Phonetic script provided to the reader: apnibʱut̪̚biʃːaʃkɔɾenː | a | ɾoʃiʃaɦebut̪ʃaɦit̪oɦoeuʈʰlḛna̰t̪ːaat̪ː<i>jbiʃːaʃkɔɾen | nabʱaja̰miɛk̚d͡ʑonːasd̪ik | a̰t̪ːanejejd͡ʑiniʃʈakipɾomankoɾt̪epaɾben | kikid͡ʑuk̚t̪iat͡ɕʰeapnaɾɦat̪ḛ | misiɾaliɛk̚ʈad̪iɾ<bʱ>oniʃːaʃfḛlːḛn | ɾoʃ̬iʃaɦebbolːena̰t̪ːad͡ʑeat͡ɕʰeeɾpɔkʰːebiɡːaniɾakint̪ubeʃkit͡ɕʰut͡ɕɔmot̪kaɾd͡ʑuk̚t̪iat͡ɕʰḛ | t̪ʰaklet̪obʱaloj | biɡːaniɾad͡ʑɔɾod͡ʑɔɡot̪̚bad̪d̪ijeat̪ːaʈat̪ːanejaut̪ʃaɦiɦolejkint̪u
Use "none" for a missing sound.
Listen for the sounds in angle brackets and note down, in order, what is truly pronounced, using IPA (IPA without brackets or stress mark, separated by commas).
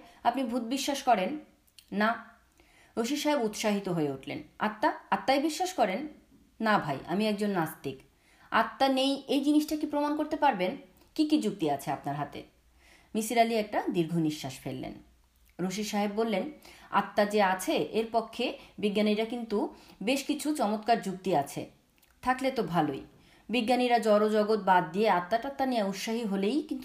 a, ɡʱ